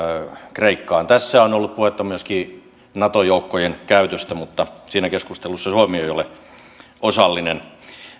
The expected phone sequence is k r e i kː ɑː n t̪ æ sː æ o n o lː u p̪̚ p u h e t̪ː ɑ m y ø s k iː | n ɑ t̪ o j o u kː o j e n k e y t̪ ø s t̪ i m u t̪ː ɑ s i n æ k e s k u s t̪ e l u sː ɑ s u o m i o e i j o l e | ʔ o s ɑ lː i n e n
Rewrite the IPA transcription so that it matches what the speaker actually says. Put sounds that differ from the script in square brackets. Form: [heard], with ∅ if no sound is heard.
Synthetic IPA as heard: k r e i kː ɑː n t̪ æ sː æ o n o lː u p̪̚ p u h e t̪ː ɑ m y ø s k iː | n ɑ t̪ o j o u kː o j e n k [æ] y t̪ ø s t̪ [æ] m u t̪ː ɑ s [iː] n æ k e s k u s t̪ e l u sː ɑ s u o m i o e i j o l e | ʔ o s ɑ lː i n e n